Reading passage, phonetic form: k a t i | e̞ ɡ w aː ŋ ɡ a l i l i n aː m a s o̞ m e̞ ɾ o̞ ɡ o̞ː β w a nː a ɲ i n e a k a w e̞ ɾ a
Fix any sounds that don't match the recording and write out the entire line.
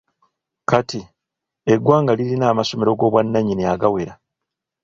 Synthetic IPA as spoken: k a t i | e̞ ɡ w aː ŋ ɡ a l i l i n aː m a s o̞ m e̞ ɾ o̞ ɡ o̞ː β w a nː a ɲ i n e a ɡ a w e̞ ɾ a